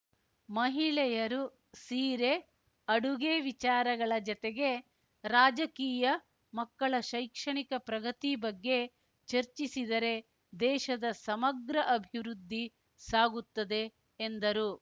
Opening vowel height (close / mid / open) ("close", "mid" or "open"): open